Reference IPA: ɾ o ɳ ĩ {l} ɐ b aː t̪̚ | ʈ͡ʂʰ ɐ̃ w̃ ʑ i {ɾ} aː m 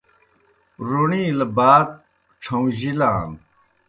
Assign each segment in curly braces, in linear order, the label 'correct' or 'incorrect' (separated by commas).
correct, incorrect